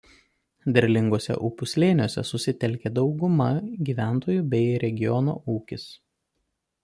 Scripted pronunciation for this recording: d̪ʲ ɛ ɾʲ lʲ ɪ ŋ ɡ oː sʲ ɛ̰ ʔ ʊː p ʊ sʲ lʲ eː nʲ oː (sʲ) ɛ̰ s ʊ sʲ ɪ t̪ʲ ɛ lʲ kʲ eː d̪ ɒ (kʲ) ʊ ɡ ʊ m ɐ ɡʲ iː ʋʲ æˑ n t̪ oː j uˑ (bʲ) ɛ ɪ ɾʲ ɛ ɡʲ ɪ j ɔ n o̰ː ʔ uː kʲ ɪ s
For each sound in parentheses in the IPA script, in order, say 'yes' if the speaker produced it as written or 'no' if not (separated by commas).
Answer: yes, no, yes